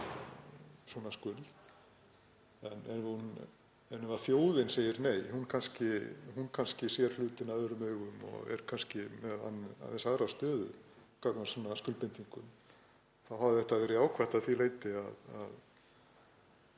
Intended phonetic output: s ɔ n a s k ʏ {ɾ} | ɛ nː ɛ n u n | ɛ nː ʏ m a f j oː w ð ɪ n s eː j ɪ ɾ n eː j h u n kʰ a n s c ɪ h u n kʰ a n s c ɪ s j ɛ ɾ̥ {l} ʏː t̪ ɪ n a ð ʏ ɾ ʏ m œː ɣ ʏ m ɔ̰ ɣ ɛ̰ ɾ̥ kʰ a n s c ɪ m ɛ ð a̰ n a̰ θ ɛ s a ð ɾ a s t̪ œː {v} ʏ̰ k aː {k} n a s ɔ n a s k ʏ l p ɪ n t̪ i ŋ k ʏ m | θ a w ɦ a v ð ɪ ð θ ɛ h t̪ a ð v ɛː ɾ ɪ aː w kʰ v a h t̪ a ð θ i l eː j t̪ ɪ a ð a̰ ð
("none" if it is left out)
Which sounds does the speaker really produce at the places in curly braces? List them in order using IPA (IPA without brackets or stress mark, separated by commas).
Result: l, l, ð, k